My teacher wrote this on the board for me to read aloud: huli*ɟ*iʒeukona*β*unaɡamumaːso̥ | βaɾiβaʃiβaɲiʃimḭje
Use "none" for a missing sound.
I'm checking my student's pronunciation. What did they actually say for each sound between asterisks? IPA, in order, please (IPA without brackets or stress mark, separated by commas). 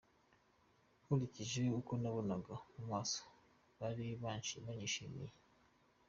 c, β